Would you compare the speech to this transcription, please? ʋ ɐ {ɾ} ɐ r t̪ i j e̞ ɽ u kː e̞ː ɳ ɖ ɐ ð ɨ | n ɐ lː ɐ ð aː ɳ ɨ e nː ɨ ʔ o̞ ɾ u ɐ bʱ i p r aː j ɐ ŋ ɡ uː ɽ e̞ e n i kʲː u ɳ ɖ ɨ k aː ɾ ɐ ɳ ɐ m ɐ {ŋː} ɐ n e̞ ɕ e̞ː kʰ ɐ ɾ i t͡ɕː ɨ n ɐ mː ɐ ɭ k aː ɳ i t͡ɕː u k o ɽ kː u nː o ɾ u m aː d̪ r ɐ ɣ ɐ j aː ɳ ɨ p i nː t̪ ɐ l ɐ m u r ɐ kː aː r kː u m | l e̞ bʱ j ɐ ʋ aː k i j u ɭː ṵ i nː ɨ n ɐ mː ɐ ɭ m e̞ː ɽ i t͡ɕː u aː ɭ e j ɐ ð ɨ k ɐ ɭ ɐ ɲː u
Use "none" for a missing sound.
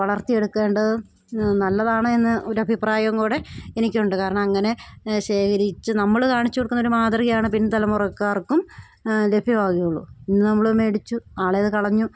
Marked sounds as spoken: ɭ, ŋː

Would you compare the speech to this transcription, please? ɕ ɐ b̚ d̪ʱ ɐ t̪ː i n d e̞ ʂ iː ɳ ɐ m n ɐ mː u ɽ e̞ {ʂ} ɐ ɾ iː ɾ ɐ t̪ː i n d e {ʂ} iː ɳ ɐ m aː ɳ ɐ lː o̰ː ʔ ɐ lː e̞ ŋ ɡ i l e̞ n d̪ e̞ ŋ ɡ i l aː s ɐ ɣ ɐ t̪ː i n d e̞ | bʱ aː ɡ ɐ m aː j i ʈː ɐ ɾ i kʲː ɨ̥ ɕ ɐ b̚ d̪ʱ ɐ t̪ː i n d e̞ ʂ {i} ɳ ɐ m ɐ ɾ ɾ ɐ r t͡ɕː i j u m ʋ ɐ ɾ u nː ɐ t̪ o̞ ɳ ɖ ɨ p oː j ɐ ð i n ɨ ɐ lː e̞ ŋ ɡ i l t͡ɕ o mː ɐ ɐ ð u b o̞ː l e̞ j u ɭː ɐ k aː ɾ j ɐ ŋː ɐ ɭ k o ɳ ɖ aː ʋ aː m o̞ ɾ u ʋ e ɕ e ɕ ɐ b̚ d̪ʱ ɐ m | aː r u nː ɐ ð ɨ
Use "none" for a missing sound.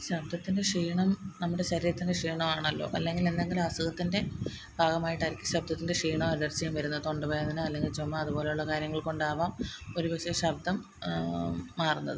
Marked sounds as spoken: ɕ, ʂ, iː

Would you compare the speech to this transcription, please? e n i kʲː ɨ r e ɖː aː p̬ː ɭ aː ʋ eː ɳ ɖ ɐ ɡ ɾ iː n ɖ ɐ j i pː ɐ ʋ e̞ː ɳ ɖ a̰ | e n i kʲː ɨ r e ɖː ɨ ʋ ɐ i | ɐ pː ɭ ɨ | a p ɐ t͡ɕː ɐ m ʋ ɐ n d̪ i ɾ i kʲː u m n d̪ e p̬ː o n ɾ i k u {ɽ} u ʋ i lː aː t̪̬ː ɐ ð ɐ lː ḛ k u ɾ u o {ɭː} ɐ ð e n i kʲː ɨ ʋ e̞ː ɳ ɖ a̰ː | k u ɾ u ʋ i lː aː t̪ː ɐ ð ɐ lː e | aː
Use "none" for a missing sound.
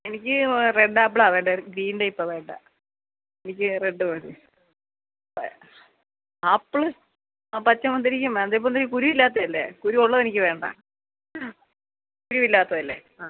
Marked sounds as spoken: ɾ, ɭː

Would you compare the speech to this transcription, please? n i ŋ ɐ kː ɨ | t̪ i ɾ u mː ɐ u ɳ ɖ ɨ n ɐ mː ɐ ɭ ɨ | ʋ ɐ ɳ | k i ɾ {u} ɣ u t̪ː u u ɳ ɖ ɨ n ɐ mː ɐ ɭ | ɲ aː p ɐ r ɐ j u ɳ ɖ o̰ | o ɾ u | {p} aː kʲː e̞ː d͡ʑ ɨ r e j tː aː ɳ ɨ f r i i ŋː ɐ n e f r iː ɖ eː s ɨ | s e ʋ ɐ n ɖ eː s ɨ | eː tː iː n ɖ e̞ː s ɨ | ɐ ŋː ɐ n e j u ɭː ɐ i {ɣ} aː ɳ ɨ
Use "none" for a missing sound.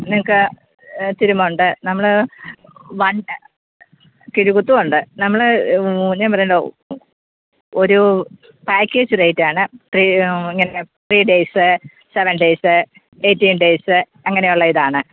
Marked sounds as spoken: u, p, ð

